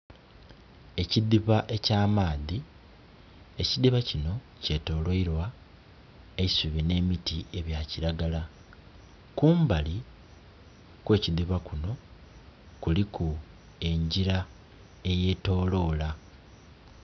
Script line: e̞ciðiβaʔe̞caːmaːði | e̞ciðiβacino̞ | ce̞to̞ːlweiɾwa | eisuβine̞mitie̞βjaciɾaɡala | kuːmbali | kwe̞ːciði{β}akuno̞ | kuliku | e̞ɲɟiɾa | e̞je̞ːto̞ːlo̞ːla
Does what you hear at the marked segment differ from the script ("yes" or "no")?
no